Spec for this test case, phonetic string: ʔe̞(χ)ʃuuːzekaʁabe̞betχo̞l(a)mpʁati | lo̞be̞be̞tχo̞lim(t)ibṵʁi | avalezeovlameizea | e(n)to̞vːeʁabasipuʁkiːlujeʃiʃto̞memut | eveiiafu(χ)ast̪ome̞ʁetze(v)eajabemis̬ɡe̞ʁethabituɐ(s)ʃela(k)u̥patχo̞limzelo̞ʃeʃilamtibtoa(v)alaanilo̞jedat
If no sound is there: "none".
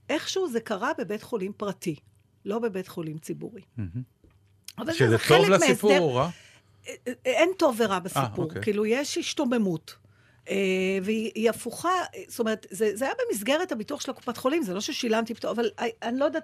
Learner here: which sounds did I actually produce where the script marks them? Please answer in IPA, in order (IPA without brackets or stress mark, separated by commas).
χ, i, t͡s, n, χ, z, χ, k, v